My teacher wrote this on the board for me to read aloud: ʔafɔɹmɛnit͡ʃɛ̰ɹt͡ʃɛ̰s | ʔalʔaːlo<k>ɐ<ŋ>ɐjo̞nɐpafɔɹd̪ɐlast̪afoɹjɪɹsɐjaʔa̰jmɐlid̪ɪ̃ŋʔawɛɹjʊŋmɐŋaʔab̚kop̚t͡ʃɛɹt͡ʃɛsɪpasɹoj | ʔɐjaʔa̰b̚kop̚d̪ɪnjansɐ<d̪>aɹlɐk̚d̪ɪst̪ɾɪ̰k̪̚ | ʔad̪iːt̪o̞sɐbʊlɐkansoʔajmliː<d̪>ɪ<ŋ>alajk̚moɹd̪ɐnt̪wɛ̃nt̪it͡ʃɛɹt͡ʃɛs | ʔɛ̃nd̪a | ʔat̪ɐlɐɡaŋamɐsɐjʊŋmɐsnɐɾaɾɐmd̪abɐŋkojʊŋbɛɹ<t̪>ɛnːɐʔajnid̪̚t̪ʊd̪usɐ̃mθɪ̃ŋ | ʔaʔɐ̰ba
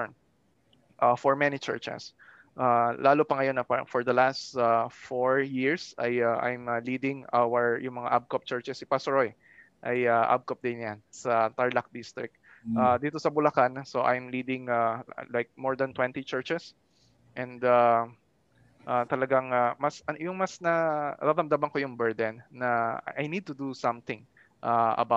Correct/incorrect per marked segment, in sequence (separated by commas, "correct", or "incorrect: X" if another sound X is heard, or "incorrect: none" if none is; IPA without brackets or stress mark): incorrect: p, correct, incorrect: t̪, correct, correct, incorrect: d̪